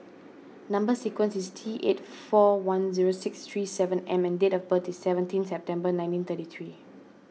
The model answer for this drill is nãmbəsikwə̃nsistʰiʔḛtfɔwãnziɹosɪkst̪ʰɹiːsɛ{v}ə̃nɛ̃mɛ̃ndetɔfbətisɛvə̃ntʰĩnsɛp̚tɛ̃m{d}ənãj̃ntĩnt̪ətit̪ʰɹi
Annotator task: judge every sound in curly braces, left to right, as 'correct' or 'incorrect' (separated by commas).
correct, incorrect